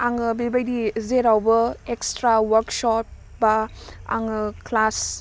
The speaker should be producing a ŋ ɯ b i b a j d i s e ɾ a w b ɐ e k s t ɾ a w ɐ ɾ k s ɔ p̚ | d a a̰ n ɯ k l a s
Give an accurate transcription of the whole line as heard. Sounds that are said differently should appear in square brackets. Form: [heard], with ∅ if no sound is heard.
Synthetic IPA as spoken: a ŋ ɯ b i b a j d i [z] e ɾ a w b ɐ e k s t ɾ a w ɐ ɾ k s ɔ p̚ | [b] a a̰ [ŋ] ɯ k l a s